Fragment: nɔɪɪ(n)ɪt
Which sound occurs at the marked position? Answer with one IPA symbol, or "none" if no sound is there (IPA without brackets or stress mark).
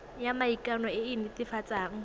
n